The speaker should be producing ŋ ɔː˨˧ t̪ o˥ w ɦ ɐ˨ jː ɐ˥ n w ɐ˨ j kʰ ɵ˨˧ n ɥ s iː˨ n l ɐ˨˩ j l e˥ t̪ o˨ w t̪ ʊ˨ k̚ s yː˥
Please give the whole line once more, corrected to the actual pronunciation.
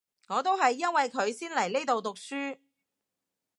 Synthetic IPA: ŋ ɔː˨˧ t̪ o˥ w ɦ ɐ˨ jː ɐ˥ n w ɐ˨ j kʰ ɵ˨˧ ɥ s iː˥ n l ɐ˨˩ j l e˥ t̪ o˨ w t̪ ʊ˨ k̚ s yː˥